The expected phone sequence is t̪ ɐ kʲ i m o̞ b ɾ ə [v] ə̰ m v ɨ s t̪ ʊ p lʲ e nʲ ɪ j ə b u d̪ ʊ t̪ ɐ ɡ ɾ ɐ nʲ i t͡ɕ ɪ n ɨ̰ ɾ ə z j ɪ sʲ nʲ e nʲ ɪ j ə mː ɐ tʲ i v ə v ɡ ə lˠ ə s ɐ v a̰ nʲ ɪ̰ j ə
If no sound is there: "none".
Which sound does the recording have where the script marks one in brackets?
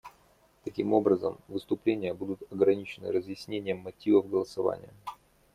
z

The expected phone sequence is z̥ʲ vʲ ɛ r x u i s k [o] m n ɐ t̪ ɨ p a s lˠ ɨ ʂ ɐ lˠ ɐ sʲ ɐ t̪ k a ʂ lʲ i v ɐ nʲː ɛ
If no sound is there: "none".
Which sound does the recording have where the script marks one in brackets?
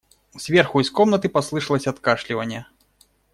ɔ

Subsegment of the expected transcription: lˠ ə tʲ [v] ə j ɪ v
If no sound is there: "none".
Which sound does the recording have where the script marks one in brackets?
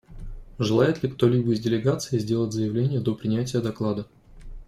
z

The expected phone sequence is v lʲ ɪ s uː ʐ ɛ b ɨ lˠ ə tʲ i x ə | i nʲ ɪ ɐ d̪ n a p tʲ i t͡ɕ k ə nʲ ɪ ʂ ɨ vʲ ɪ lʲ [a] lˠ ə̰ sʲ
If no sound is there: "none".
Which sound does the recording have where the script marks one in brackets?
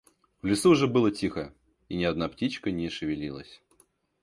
i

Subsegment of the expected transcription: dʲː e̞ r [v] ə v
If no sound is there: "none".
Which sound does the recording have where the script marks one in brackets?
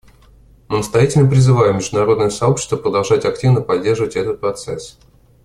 ʐ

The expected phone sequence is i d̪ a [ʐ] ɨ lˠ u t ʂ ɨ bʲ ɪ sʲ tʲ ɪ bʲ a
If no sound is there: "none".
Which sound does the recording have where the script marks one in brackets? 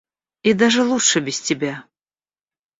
ʐ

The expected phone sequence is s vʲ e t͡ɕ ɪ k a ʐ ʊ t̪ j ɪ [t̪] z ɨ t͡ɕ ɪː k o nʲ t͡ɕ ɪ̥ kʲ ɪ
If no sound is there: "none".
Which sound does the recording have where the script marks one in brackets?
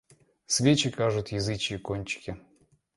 none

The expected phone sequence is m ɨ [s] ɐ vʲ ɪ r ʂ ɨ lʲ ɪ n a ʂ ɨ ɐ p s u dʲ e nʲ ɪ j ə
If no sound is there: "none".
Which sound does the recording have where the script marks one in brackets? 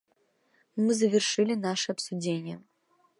z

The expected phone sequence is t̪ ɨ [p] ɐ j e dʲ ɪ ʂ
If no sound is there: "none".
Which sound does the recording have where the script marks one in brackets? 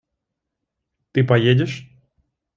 p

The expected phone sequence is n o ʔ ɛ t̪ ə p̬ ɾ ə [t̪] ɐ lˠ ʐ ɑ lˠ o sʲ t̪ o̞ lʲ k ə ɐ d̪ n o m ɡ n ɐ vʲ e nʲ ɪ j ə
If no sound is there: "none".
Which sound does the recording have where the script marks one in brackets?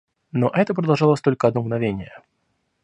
d̪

